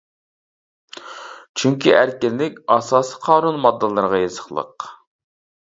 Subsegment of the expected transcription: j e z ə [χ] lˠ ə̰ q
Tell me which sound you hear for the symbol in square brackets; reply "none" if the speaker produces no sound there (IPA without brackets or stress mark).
χ